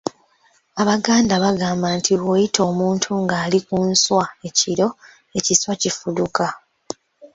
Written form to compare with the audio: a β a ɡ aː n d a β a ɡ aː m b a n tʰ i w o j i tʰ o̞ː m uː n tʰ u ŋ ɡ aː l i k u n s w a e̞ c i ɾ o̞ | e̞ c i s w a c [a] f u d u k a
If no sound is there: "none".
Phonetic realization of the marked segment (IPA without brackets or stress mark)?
i